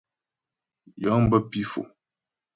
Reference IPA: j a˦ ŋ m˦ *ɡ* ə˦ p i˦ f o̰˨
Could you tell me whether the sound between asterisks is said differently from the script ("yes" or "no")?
yes